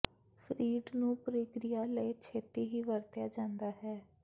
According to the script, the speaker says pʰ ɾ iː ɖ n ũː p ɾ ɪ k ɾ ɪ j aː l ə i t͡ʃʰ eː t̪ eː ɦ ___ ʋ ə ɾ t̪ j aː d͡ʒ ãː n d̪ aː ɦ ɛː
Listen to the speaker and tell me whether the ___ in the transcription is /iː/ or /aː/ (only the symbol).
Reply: iː